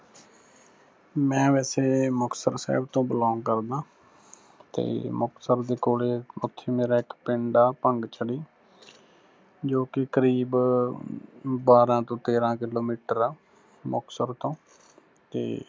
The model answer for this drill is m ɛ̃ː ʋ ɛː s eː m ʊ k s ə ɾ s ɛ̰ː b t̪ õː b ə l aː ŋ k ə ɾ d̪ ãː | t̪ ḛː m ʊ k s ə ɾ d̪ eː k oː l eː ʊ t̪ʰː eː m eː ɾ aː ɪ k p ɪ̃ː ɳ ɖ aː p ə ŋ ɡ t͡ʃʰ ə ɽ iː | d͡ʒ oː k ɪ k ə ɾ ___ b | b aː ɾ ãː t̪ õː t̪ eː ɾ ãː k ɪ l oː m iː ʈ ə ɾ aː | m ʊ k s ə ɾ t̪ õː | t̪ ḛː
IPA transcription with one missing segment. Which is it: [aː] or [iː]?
iː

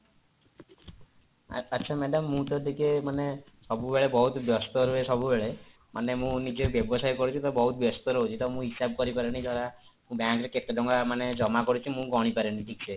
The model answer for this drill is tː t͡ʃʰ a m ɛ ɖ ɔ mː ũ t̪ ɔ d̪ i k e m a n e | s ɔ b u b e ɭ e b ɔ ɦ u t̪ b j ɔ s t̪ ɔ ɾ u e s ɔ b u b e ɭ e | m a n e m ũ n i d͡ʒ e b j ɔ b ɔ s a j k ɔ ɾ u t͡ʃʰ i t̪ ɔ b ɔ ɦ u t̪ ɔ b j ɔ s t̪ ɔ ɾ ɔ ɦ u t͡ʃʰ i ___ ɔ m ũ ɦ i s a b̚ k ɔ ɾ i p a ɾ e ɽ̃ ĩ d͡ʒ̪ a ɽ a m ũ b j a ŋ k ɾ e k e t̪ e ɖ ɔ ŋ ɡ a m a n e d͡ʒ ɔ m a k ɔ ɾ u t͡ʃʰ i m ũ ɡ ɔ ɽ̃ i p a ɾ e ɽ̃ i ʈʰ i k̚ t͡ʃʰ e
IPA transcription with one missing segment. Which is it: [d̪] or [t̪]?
t̪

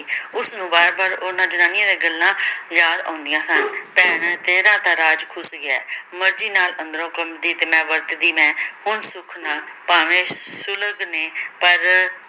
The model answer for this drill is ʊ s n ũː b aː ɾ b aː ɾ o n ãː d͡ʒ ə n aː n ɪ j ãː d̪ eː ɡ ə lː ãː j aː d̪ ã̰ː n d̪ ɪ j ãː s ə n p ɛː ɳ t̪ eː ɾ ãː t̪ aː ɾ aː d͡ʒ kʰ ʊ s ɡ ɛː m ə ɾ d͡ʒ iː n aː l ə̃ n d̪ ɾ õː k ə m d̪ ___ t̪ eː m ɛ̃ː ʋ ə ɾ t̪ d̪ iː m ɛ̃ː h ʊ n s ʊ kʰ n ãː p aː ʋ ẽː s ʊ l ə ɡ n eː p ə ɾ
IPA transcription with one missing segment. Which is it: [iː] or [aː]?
iː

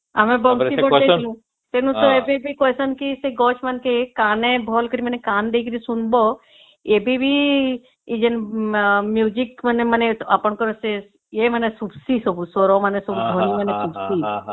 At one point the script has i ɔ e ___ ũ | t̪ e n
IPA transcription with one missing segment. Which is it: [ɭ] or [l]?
l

